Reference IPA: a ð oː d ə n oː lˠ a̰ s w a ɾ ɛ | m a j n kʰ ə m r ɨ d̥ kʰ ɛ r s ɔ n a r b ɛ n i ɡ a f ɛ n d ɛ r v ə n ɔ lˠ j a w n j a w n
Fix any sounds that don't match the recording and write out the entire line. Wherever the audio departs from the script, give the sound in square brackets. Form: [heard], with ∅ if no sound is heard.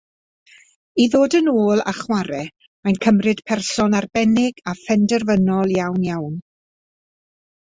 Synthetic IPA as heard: [i] ð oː d ə n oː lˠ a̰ [χ] w a ɾ ɛ | m a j n kʰ ə m r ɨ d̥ [pʰ] ɛ r s ɔ n a r b ɛ n [ɪ] ɡ a f ɛ n d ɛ r v ə n ɔ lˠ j a w n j a w n